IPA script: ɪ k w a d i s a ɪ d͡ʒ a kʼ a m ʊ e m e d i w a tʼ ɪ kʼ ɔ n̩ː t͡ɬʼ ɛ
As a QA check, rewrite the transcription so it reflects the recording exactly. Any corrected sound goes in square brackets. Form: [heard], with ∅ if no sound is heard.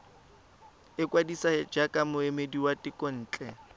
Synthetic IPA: ɪ k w a d i s a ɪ d͡ʒ a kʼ a m ʊ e m e d i w a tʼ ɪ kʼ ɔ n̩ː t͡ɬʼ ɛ